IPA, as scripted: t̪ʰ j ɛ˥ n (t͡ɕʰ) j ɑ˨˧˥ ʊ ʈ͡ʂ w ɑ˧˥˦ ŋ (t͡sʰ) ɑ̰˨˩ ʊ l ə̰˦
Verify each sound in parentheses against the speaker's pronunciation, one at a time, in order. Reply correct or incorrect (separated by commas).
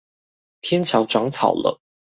correct, correct